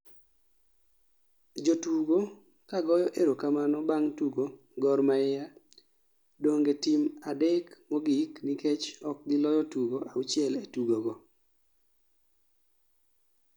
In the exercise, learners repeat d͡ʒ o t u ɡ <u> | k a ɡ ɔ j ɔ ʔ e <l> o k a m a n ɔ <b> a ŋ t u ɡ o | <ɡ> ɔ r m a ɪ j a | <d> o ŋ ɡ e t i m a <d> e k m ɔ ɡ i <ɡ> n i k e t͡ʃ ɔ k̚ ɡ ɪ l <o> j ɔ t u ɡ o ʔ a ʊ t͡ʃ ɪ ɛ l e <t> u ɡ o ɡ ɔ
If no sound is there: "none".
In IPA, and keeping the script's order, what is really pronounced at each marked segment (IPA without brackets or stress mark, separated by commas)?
o, ɾ, b, ɡ, d, d, k, ɔ, t